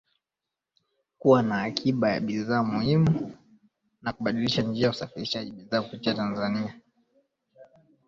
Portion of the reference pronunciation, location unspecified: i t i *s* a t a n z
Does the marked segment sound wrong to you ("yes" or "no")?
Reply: yes